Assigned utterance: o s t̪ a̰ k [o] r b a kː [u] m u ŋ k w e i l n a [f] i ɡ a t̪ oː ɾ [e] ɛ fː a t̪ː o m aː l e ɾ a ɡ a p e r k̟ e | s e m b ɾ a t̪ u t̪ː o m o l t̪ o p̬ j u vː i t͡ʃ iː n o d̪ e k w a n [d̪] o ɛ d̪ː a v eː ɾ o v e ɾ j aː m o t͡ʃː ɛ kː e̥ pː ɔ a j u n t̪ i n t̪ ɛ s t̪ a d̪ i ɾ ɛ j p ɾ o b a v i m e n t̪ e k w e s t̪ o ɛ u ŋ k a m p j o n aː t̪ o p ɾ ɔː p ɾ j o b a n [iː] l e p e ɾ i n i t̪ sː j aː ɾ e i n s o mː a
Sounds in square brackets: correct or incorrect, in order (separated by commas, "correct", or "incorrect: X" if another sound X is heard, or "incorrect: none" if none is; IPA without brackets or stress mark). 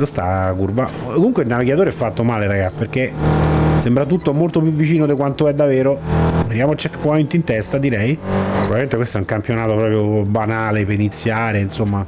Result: incorrect: u, incorrect: o, incorrect: v, correct, incorrect: t̪, incorrect: aː